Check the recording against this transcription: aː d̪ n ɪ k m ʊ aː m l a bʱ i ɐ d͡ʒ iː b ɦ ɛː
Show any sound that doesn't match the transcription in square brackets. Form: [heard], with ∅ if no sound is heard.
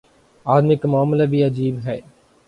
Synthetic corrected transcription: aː d̪ [m] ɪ k m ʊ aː m l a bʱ i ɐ d͡ʒ iː b ɦ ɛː